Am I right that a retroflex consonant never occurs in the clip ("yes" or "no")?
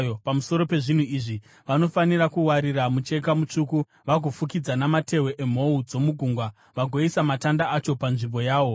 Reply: no